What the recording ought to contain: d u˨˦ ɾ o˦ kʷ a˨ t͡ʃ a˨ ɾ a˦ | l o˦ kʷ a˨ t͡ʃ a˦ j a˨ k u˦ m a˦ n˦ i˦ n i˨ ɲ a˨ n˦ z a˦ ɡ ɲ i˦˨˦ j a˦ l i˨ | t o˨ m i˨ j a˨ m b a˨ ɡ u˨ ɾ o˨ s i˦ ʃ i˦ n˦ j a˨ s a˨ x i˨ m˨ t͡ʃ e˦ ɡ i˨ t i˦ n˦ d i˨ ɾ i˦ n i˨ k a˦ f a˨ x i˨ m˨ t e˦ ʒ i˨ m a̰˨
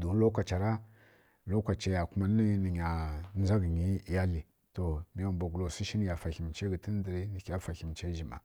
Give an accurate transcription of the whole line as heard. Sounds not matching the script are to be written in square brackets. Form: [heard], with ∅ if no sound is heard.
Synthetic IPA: d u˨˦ [l] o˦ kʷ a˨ t͡ʃ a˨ ɾ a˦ | l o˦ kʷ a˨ t͡ʃ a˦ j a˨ k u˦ m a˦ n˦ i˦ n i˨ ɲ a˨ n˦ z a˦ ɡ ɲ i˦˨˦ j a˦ l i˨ | t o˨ m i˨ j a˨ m b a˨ ɡ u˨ [l] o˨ s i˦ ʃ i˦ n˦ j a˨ [f] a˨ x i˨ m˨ t͡ʃ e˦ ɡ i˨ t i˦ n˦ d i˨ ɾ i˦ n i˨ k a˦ f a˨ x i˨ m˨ [t͡ʃ] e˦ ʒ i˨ m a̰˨